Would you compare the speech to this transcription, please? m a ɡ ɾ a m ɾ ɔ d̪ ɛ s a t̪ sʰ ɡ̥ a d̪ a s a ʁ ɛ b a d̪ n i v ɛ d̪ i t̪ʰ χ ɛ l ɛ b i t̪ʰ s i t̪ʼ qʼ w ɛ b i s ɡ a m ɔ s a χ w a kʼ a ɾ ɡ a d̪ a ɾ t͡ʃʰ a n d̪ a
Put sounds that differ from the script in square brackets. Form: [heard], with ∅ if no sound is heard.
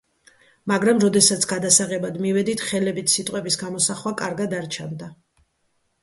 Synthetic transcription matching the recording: m a ɡ ɾ a m ɾ ɔ d̪ ɛ s a t̪ sʰ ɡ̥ a d̪ a s a ʁ ɛ b a d̪ [m] i v ɛ d̪ i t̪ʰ χ ɛ l ɛ b i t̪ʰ s i t̪ʼ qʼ w ɛ b i s ɡ a m ɔ s a χ w a kʼ a ɾ ɡ a d̪ a ɾ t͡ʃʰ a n d̪ a